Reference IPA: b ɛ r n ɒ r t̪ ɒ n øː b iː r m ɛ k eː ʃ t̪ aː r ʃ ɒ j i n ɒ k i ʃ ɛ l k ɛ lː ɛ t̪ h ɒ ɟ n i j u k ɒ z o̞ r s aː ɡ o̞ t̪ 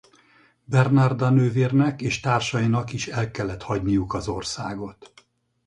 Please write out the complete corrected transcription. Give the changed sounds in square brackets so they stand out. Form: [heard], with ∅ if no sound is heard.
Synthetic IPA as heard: b ɛ r n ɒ r [d̪] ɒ n øː [v] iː r [n] ɛ k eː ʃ t̪ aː r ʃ ɒ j i n ɒ k i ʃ ɛ l k ɛ lː ɛ t̪ h ɒ ɟ n i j u k ɒ z o̞ r s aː ɡ o̞ t̪